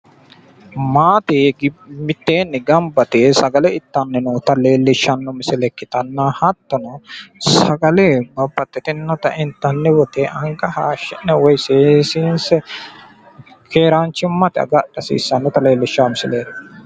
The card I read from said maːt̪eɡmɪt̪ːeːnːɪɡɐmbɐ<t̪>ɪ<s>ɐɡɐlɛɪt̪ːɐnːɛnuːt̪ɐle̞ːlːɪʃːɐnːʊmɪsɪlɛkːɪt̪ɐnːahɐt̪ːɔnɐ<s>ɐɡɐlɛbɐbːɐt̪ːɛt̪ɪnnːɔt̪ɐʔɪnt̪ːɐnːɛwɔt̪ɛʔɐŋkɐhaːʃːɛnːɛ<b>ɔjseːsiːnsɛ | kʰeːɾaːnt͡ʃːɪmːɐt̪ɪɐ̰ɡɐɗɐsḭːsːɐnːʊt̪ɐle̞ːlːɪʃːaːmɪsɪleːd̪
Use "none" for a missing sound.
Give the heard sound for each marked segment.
t̪, s, s, w

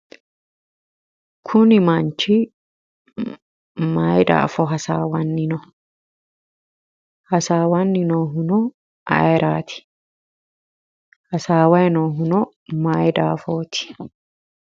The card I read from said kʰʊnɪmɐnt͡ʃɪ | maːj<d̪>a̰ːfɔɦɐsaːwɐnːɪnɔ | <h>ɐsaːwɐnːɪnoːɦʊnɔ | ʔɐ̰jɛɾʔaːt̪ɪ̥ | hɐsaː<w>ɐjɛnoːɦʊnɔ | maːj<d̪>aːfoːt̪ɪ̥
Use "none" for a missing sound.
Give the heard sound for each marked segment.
d̪, h, w, d̪

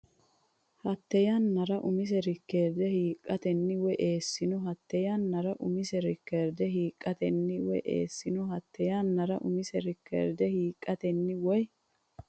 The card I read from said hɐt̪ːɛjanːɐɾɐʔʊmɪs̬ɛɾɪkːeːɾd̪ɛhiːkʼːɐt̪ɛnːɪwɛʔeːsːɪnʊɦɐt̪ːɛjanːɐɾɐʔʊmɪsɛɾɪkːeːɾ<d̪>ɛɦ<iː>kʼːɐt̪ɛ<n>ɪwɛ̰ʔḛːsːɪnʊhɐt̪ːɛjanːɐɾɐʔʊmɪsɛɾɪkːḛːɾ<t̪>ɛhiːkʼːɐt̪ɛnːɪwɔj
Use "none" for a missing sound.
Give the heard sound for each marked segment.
d̪, iː, nː, d̪

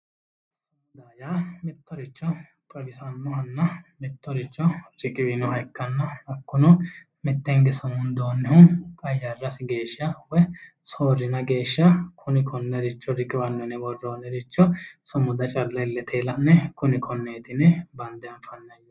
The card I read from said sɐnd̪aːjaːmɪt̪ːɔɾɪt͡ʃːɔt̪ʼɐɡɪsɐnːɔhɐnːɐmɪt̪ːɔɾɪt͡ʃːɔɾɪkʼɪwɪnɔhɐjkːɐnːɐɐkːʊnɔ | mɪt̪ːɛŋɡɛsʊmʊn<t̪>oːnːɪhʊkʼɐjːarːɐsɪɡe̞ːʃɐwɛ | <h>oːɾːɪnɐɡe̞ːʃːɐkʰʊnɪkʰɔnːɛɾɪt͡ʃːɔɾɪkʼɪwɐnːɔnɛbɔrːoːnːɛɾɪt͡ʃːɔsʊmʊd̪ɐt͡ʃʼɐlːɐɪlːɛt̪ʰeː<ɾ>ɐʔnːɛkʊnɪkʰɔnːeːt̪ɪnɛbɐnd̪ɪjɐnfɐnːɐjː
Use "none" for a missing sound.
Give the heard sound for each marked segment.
d̪, s, l

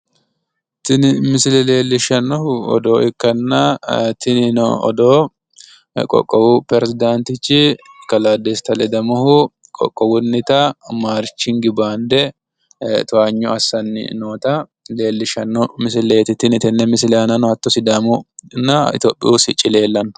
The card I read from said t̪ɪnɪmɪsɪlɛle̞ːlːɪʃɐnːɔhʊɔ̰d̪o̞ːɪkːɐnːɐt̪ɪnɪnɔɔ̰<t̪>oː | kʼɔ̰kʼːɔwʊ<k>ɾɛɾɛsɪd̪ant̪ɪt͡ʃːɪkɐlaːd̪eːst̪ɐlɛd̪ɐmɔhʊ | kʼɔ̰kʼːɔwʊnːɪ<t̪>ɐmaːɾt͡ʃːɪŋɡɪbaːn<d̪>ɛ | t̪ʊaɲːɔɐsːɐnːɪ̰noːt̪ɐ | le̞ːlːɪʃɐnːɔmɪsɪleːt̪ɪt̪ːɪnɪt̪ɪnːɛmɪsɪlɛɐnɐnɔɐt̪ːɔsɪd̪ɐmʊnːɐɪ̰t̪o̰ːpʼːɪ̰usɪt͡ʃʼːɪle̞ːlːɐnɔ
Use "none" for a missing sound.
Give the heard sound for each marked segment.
d̪, p, t̪, d̪

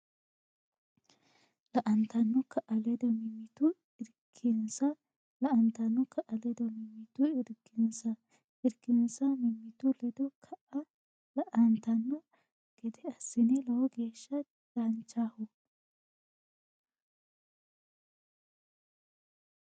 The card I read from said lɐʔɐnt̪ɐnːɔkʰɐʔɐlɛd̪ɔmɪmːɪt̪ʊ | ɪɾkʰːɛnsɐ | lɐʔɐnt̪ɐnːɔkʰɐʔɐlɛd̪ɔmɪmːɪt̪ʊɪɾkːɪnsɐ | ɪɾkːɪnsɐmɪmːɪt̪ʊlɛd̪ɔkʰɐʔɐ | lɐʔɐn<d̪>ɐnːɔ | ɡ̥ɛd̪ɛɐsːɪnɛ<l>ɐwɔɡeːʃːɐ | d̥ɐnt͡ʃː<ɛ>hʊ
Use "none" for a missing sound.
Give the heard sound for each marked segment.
t̪, l, a

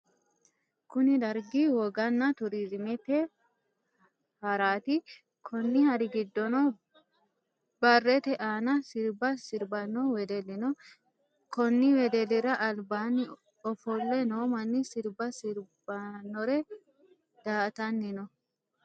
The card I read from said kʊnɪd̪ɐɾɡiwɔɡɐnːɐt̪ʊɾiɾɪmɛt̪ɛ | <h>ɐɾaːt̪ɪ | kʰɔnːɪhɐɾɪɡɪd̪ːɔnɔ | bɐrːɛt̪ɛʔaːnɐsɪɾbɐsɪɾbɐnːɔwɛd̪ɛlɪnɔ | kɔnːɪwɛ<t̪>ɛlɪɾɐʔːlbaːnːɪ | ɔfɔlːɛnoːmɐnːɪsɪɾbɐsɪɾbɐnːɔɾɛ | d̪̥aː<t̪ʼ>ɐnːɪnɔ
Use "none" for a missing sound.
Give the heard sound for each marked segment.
h, d̪, t̪

